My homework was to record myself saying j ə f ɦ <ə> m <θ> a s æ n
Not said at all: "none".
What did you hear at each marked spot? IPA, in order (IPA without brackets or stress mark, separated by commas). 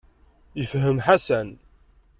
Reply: ə, ħ